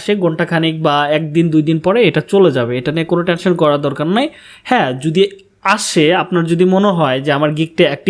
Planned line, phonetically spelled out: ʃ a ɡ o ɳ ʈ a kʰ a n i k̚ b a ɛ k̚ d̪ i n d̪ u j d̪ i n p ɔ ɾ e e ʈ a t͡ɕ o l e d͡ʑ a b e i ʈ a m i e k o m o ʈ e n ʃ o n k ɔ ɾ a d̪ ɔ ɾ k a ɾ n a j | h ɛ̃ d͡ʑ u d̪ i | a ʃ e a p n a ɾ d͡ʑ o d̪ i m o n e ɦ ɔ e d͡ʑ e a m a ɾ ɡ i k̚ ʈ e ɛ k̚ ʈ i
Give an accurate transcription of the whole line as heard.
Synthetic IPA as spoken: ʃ e ɡ o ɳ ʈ a kʰ a n i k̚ b a ɛ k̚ d̪ i n d̪ u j d̪ i n p ɔ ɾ e e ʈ a t͡ɕ o l e d͡ʑ a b e e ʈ a n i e k o n o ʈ e n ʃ o n k ɔ ɾ a d̪ ɔ ɾ k a ɾ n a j | h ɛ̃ d͡ʑ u d̪ i | a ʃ e a p n a ɾ d͡ʑ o d̪ i m o n e ɦ ɔ e d͡ʑ e a m a ɾ ɡ i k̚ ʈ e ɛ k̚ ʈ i